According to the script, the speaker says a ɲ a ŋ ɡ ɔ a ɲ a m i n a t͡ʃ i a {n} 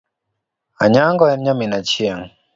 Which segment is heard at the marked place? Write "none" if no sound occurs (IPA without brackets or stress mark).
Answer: ŋ